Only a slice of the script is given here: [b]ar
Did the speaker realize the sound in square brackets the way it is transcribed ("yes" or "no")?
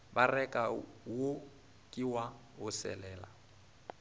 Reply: yes